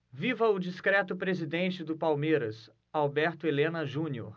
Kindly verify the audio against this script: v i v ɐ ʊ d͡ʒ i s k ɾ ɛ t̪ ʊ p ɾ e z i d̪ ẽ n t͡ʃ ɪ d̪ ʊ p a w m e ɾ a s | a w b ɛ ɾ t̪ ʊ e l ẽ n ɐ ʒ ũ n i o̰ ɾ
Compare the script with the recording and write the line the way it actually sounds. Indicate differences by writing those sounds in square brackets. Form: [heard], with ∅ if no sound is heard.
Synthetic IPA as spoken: v i v ɐ ʊ d͡ʒ i s k ɾ ɛ t̪ ʊ p ɾ e z i d̪ ẽ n t͡ʃ ɪ d̪ ʊ p a w m e ɾ [ɐ] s | a w b ɛ ɾ t̪ ʊ e l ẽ n ɐ ʒ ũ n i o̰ ɾ